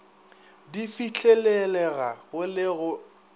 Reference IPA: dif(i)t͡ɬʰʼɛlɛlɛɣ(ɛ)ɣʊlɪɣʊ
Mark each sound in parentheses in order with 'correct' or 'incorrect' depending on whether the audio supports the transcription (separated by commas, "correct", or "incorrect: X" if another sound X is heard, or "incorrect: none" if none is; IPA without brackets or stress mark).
correct, incorrect: a